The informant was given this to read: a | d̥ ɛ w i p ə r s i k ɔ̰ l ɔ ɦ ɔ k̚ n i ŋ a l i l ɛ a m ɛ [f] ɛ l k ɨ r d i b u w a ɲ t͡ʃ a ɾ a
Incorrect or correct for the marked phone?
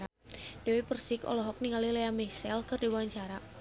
incorrect: s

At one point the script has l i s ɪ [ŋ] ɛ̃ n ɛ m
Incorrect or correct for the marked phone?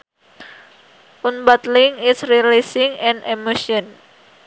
correct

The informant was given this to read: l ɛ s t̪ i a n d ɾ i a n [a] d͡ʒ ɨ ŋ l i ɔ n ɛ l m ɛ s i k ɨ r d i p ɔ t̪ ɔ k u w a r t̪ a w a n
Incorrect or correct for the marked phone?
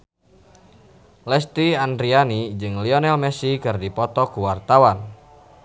incorrect: i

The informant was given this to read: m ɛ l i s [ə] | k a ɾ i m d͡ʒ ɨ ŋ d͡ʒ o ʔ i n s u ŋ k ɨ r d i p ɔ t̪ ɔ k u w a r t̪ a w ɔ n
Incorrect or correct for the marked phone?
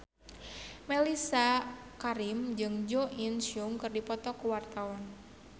incorrect: a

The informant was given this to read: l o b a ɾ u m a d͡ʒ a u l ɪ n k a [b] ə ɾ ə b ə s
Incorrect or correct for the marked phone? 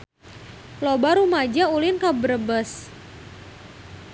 correct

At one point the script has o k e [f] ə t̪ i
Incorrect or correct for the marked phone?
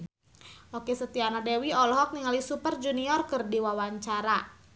incorrect: s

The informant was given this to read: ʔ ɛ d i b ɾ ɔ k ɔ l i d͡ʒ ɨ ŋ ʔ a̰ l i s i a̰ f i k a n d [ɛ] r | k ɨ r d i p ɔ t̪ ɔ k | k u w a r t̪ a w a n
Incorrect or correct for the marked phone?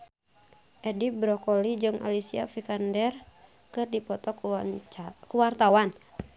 correct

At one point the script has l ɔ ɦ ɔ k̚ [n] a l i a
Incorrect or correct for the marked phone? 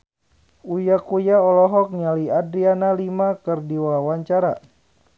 incorrect: ɲ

